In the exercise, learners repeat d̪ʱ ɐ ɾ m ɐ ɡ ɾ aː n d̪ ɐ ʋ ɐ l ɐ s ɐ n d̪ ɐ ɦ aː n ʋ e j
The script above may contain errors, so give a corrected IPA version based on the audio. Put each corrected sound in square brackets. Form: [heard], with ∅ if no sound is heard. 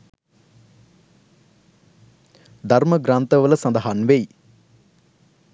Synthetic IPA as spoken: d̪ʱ ɐ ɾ m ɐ ɡ ɾ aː n [t̪] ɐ ʋ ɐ l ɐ s ɐ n d̪ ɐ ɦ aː n ʋ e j